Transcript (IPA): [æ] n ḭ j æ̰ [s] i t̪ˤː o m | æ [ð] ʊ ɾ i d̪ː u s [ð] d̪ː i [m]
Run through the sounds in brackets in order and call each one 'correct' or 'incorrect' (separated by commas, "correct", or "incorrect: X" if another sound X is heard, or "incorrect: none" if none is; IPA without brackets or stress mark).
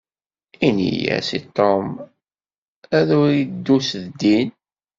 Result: incorrect: i, correct, correct, correct, incorrect: n